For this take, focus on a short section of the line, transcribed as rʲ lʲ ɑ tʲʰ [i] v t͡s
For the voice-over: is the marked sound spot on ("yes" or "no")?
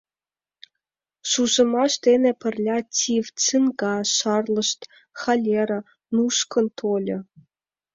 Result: yes